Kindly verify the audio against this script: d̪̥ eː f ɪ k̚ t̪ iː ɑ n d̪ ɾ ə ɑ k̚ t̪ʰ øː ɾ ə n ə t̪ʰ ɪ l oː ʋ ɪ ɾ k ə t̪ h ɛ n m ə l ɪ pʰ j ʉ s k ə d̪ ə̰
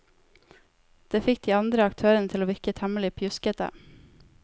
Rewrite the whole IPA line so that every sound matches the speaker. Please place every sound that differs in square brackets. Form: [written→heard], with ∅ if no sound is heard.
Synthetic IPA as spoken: d̪̥ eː f ɪ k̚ [t̪→d̪] iː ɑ n d̪ ɾ ə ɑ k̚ t̪ʰ øː ɾ ə n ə t̪ʰ ɪ l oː ʋ ɪ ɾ k ə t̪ h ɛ [n→∅] m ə l ɪ pʰ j ʉ s k ə [d̪→t̪] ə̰